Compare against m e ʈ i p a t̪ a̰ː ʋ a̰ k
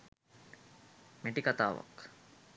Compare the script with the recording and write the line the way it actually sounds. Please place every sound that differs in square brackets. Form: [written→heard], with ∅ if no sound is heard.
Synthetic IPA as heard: m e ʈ i [p→k] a t̪ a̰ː ʋ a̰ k